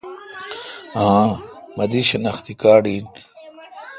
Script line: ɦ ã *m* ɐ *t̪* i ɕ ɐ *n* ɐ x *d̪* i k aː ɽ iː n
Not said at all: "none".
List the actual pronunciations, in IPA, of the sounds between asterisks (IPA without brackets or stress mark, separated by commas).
m, d̪, n, t̪